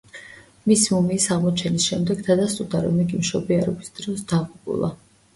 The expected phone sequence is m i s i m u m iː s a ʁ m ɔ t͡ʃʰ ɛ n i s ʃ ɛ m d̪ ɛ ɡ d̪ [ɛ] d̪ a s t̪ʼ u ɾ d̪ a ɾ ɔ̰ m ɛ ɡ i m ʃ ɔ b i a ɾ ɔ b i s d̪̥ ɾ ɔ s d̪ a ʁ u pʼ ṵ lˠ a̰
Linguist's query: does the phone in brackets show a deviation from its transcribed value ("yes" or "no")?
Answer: yes